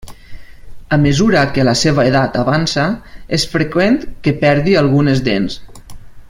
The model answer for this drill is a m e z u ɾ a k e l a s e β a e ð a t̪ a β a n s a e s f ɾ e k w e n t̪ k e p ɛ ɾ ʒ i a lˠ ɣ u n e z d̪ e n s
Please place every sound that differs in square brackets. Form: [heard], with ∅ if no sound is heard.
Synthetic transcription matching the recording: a m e z u ɾ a k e l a s e β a e ð a t̪ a β a n s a e s f ɾ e k w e n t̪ k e p ɛ ɾ [ð] i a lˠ ɣ u n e z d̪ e n s